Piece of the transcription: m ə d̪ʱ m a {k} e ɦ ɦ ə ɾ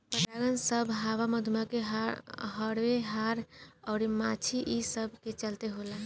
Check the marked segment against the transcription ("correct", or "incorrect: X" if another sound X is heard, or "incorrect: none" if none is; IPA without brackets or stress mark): correct